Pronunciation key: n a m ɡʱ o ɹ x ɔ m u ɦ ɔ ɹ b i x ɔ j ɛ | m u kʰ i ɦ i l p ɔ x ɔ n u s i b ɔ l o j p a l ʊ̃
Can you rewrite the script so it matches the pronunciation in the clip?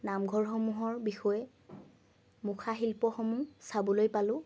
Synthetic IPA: n a m ɡʱ ɔ ɹ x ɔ m u ɦ ɔ ɹ b i x ɔ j ɛ | m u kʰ a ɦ i l p ɔ x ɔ m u s a b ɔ l o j p a l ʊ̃